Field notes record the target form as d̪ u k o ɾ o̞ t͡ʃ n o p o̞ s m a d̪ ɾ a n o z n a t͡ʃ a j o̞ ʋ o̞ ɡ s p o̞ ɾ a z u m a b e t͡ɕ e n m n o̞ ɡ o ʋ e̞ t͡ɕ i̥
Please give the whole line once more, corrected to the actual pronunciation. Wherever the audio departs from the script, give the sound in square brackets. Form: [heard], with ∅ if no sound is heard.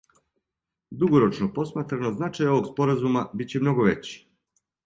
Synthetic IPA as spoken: d̪ u [ɡ] o ɾ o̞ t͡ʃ n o p o̞ s m a [t̪] ɾ a n o z n a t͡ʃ a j o̞ ʋ o̞ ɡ s p o̞ ɾ a z u m a b [i] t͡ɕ e [∅] m n o̞ ɡ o ʋ e̞ t͡ɕ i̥